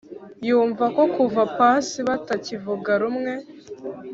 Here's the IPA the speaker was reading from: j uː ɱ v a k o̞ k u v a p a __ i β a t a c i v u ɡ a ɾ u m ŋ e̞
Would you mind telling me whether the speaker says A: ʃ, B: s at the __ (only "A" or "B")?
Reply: B